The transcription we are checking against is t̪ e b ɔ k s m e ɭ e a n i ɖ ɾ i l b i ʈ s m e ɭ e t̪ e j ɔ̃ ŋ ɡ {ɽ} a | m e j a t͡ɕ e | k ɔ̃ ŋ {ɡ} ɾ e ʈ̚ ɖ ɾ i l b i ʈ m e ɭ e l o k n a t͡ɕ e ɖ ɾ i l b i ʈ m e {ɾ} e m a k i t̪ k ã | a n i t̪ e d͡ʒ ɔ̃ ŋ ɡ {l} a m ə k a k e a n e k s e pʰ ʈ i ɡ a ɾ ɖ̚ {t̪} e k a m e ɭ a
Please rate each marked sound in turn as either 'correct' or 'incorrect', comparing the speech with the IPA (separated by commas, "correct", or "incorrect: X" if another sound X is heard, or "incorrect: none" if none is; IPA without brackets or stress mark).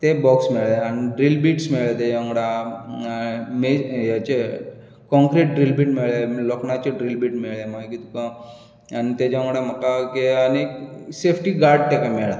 correct, incorrect: k, incorrect: ɭ, incorrect: ɽ, correct